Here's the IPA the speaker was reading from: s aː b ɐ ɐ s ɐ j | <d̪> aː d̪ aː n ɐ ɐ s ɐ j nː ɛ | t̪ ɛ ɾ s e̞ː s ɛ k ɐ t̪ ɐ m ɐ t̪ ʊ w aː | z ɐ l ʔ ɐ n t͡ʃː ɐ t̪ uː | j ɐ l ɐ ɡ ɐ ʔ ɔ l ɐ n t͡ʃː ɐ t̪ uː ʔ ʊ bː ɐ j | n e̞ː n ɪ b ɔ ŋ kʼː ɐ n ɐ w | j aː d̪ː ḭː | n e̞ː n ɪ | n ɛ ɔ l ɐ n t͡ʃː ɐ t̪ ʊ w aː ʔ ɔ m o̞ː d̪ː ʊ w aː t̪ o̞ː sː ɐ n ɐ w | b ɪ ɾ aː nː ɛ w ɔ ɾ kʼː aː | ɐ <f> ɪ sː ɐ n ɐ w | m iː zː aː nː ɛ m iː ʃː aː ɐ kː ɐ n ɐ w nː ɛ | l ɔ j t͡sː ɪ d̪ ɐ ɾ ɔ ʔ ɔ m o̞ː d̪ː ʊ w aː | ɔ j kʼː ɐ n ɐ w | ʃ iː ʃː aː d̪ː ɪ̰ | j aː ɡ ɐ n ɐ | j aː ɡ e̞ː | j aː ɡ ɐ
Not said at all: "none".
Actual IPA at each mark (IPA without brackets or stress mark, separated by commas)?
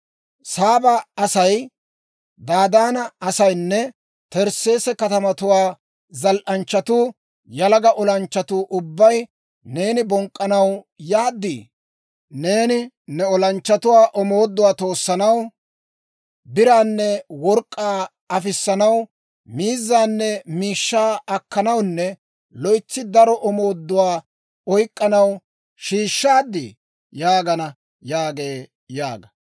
d̪, f